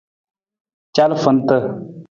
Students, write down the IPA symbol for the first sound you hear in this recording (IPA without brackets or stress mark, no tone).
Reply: t͡ʃ